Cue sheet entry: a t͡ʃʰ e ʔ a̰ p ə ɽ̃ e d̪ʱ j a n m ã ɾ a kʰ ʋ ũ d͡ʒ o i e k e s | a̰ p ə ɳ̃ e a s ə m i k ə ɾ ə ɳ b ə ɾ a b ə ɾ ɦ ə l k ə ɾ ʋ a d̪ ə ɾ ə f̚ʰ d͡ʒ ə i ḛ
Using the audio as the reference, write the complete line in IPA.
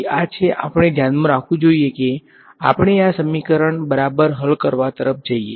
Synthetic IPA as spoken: a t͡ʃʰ e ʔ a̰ p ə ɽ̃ e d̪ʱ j a n m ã ɾ a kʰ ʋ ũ d͡ʒ o i e k e | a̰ p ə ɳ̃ e a s ə m i k ə ɾ ə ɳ b ə ɾ a b ə ɾ ɦ ə l k ə ɾ ʋ a t̪ ə ɾ ə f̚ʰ d͡ʒ ə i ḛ